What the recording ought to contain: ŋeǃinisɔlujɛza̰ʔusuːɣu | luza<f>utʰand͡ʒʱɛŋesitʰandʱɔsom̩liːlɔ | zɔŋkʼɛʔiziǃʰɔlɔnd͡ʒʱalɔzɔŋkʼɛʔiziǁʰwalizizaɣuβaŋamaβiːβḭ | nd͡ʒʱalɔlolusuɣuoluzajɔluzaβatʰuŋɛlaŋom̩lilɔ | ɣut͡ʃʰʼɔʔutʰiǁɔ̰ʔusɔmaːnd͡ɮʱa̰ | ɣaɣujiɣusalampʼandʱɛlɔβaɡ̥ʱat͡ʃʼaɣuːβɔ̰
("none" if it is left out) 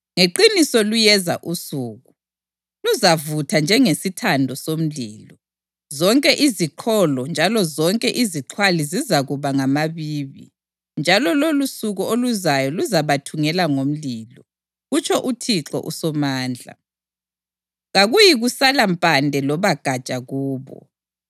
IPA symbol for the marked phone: v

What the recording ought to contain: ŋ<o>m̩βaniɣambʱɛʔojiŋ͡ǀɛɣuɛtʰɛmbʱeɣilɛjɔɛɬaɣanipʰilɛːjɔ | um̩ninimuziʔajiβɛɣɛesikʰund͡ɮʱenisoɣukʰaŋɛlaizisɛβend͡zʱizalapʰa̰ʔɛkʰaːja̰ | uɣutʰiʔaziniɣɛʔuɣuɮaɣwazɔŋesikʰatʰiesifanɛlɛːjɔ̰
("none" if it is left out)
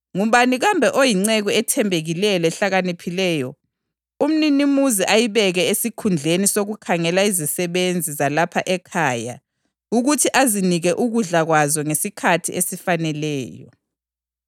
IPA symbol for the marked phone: u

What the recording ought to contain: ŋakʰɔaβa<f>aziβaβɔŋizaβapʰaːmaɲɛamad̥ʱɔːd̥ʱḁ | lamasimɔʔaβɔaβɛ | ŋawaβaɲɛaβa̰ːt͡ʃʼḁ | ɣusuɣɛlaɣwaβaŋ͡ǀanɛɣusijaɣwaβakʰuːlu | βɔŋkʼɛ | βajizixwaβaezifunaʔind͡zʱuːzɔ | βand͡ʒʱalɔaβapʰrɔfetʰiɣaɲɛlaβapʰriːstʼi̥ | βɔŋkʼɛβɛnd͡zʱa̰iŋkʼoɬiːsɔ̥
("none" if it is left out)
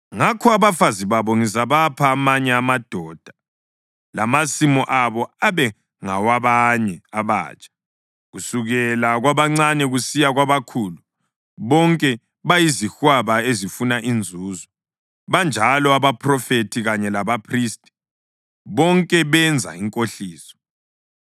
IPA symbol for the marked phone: f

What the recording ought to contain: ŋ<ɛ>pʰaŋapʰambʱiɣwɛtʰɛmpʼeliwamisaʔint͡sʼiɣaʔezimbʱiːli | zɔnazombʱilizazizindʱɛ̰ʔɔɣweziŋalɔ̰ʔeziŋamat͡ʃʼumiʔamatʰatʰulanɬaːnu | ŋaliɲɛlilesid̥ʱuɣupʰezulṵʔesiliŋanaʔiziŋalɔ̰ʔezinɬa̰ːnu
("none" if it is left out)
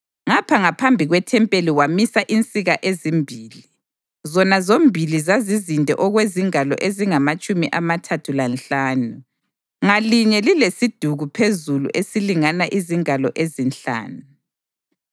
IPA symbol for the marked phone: a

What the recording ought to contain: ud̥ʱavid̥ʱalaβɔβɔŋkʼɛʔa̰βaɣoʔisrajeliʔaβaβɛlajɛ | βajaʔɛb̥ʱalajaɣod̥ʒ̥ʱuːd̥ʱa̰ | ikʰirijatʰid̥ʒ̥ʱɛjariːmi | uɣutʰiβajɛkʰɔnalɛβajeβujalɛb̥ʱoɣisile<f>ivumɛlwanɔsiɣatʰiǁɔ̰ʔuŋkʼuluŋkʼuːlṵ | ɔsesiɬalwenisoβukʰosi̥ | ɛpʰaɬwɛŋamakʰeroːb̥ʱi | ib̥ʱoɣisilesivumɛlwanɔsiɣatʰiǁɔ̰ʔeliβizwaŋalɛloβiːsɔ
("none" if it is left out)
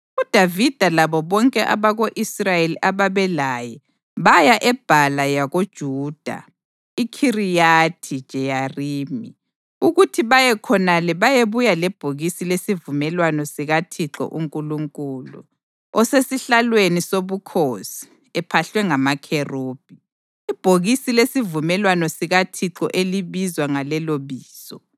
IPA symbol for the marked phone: s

